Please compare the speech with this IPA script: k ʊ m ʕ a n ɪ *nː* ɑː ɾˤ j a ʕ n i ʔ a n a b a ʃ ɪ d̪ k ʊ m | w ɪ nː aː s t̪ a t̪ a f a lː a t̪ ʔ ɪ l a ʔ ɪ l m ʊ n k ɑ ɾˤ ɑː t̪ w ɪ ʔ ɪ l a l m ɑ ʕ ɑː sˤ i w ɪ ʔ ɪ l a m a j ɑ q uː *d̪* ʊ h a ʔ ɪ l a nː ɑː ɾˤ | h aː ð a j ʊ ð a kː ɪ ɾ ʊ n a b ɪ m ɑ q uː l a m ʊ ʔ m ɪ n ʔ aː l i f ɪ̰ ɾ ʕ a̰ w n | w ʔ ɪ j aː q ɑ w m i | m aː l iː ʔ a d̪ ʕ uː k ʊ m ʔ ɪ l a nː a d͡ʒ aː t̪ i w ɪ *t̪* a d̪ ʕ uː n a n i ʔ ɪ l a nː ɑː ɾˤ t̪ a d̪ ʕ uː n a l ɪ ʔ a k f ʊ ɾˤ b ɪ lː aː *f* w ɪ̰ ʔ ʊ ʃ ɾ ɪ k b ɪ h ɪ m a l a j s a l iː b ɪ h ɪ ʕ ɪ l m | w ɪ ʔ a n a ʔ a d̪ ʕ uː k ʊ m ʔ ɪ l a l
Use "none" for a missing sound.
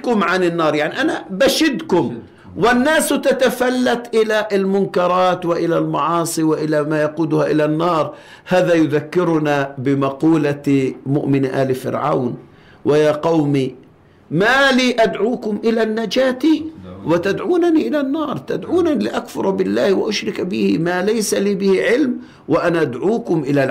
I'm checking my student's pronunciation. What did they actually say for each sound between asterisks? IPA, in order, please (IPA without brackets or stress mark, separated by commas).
nː, d̪, t̪, h